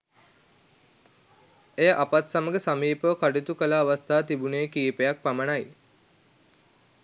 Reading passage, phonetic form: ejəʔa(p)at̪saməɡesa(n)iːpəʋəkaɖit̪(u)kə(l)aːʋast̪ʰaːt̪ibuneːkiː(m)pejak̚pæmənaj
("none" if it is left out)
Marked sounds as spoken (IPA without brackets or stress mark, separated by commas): p, m, u, l, none